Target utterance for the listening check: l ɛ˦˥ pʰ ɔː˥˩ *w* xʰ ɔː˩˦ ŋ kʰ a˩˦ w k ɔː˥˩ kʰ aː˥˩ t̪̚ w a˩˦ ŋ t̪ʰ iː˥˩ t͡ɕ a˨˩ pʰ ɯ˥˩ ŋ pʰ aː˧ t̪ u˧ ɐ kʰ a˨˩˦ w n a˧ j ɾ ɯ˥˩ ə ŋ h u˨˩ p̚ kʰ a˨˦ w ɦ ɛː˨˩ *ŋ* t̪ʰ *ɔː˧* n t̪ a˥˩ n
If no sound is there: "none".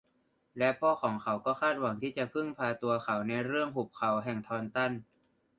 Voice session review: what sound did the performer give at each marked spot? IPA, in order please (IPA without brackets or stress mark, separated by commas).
none, ŋ, ɔː˧